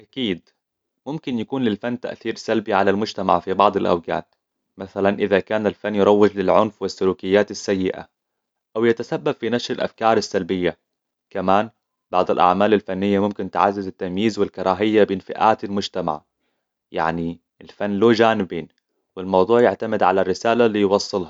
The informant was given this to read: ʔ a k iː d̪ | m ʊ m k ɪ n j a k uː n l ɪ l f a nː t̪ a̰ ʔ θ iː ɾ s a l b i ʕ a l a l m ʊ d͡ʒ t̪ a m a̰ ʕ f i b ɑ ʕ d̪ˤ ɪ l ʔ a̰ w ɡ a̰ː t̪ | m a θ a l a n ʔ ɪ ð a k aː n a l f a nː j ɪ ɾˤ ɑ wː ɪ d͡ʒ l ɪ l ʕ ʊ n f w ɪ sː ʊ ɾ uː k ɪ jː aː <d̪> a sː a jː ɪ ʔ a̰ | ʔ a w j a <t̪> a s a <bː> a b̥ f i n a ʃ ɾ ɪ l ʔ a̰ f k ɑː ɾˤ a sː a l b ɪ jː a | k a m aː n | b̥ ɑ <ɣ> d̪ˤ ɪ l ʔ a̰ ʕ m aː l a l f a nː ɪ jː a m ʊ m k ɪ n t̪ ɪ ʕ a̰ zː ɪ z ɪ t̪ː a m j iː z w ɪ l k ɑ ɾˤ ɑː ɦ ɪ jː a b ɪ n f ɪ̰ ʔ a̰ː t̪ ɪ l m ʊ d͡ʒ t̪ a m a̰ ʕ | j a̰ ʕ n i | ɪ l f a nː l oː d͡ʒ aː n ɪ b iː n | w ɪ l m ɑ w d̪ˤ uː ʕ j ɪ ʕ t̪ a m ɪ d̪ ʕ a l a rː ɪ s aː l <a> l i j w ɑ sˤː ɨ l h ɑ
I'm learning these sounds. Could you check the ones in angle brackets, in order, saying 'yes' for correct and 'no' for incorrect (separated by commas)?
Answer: no, yes, yes, no, yes